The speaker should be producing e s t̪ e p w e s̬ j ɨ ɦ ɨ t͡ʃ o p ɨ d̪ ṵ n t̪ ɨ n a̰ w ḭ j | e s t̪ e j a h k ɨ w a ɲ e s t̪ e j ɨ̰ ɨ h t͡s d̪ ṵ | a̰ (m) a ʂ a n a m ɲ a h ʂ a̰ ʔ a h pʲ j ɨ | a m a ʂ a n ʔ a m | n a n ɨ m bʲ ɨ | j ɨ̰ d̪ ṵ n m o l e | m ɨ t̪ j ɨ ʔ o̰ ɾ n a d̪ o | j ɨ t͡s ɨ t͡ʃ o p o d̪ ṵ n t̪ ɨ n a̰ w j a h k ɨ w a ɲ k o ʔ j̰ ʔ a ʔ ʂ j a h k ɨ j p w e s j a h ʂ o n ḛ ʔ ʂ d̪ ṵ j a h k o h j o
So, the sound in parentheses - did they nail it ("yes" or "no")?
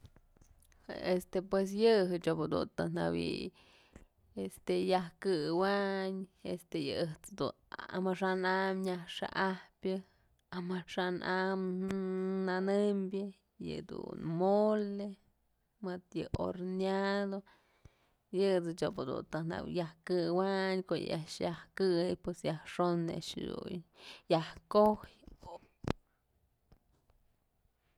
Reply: yes